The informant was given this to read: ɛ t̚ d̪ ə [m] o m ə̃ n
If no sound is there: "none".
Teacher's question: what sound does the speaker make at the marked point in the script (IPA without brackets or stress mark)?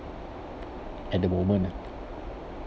m